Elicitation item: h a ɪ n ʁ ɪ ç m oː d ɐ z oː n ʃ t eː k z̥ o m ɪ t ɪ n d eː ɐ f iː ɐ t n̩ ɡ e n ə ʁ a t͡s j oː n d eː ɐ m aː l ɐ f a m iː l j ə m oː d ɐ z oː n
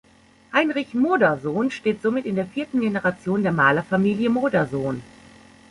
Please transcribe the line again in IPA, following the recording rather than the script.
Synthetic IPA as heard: h a ɪ n ʁ ɪ ç m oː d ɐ z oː n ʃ t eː t z̥ o m ɪ t ɪ n d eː ɐ f iː ɐ t n̩ ɡ e n ə ʁ a t͡s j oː n d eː ɐ m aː l ɐ f a m iː l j ə m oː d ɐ z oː n